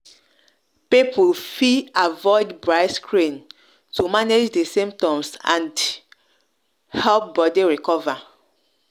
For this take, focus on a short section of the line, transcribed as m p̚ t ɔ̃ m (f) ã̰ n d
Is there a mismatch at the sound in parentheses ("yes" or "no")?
yes